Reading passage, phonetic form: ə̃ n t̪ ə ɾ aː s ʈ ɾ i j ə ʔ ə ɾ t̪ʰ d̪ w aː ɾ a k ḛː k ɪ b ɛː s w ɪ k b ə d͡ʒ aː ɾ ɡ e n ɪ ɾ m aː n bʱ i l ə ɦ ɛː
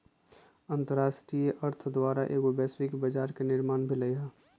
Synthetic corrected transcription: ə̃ n t̪ ə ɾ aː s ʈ ɾ i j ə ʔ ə ɾ t̪ʰ d̪ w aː ɾ a ʔ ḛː k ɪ b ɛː s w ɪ k b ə d͡ʒ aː ɾ k e n ɪ ɾ m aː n bʱ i l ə ɦ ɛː